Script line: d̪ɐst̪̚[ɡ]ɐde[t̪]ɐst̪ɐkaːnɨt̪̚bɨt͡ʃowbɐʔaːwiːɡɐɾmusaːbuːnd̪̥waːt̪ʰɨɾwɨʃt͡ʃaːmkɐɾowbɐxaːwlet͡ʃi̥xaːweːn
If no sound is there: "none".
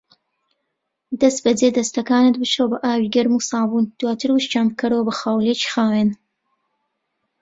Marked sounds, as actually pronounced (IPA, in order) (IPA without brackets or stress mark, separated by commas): b, d̪